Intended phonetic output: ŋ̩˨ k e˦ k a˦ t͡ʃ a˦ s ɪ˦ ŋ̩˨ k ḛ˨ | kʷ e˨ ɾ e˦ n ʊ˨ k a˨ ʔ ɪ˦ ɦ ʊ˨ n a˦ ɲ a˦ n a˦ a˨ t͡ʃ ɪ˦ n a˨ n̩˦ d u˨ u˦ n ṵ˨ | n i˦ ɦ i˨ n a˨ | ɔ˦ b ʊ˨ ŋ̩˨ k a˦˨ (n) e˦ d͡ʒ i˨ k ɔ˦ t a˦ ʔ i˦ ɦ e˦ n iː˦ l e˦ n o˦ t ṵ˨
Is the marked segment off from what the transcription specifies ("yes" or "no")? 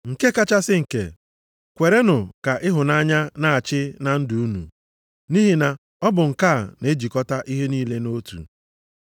no